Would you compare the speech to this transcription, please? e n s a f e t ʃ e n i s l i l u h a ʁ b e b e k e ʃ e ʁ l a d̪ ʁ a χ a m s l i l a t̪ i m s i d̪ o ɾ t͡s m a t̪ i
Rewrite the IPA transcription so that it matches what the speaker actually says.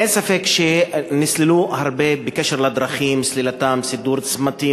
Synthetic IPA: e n s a f e k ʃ e n i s l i l u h a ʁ b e b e k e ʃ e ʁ l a d̪ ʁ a χ i m s l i l a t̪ a m s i d̪ u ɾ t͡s m a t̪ i